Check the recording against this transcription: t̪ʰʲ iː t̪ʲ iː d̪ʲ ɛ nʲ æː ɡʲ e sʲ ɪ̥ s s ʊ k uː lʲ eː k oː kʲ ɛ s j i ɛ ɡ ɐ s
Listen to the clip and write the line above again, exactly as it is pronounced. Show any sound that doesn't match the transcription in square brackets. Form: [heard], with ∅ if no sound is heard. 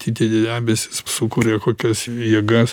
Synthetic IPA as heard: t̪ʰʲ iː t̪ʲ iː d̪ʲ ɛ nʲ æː [bʲ] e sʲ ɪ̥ s s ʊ k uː [ɾʲ] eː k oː kʲ ɛ s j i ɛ ɡ ɐ s